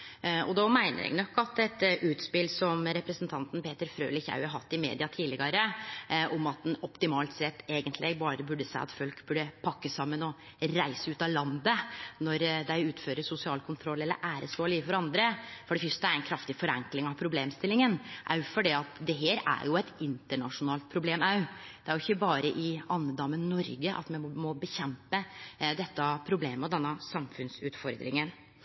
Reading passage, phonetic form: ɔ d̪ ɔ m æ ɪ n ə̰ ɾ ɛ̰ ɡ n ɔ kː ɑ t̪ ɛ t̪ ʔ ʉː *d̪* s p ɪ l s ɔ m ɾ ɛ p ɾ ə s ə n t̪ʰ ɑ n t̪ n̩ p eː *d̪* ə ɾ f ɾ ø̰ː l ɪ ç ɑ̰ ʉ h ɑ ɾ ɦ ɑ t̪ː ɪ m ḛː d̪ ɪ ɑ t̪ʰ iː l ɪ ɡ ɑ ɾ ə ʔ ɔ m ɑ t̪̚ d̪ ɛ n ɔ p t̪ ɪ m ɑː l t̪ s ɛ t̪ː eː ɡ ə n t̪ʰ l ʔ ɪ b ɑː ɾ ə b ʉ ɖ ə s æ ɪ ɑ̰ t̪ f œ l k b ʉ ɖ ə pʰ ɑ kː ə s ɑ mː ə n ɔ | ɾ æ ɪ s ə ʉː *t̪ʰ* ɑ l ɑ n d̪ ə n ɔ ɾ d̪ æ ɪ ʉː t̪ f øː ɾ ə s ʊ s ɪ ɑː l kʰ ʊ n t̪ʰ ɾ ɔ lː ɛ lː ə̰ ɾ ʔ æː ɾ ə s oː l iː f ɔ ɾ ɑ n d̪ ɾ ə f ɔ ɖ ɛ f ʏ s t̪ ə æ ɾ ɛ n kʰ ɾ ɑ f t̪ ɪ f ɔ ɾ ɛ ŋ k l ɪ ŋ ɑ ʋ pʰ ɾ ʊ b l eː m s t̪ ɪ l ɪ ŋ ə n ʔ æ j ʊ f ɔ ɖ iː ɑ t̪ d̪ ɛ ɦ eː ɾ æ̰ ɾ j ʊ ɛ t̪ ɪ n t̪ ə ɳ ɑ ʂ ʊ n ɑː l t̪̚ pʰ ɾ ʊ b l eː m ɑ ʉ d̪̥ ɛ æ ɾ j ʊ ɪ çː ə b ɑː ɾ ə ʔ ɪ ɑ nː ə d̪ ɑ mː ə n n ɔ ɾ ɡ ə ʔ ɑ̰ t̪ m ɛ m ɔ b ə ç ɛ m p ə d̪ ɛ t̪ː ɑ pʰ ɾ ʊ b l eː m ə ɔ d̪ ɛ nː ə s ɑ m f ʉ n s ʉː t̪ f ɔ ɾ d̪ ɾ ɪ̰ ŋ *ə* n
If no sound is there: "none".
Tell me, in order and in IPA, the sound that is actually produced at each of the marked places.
t̪, t̪, t̪, ə

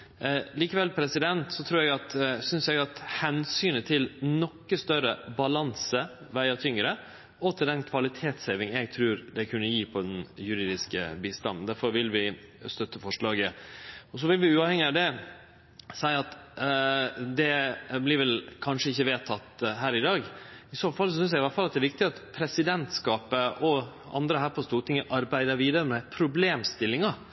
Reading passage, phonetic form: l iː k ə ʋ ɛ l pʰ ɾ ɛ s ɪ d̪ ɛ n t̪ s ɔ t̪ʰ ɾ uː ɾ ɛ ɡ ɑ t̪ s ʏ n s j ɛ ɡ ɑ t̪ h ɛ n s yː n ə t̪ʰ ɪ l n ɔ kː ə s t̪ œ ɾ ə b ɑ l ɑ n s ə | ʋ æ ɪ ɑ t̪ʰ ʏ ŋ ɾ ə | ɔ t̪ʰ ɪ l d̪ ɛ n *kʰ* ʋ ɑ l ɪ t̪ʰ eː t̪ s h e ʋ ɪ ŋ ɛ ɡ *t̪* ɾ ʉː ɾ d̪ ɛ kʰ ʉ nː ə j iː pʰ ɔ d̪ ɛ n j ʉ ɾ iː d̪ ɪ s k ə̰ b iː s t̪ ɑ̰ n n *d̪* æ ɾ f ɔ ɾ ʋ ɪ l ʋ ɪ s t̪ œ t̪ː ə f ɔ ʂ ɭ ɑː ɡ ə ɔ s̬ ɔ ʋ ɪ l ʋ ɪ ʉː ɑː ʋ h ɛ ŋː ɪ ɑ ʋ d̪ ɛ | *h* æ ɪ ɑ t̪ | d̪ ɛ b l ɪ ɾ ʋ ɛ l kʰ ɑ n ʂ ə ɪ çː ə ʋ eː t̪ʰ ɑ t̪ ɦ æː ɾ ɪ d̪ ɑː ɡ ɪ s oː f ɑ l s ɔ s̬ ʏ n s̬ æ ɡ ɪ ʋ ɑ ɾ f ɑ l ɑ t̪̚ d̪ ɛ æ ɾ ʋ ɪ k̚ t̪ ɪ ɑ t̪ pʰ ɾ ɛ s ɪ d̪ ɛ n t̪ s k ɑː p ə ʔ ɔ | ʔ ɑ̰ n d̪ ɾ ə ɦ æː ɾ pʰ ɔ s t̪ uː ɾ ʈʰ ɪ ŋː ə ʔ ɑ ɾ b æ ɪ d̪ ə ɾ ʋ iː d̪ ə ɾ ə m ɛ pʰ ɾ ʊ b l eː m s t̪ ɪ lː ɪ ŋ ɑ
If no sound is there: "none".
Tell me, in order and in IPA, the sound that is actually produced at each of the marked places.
kʰ, t̪ʰ, d̪, s

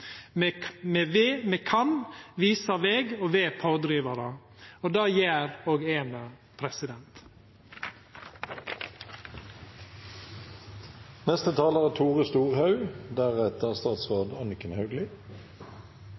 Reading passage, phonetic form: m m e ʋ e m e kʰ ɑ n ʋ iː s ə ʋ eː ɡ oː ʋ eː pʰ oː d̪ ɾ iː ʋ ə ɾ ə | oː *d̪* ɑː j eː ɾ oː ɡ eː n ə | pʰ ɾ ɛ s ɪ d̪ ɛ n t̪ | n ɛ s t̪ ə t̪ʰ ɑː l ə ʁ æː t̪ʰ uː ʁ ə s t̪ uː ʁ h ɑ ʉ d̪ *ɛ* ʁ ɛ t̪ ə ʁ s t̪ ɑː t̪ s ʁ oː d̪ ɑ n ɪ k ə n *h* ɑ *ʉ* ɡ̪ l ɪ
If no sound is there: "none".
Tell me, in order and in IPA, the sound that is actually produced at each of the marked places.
d̪, æ, h, ʉ

